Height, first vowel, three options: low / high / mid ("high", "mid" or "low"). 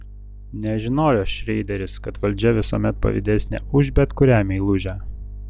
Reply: mid